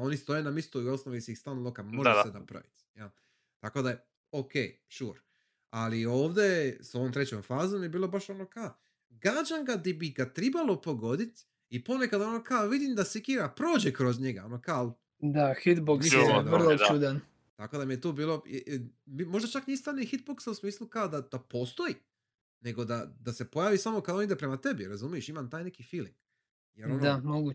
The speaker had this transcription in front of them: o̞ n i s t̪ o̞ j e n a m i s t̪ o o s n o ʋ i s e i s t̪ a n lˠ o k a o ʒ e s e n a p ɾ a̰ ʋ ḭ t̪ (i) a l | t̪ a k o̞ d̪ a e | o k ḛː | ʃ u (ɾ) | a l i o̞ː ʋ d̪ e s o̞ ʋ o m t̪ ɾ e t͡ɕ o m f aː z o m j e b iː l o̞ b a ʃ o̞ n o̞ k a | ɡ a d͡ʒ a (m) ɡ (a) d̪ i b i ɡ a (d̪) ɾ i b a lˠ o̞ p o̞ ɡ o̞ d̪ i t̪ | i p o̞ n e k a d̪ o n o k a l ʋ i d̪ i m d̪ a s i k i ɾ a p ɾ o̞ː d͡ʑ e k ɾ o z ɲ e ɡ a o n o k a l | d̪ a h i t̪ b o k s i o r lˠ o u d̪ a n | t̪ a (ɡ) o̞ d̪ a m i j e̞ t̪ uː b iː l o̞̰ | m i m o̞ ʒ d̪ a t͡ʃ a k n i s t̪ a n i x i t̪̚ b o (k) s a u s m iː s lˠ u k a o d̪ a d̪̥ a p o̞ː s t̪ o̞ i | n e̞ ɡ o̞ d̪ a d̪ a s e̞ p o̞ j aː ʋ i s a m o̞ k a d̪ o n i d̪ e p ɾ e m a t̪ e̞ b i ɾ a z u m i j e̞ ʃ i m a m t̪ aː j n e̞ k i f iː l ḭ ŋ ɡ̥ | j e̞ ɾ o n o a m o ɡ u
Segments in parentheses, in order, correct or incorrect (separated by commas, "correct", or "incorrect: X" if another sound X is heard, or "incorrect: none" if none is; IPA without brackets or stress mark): incorrect: j, correct, incorrect: ŋ, correct, incorrect: t̪, incorrect: k, correct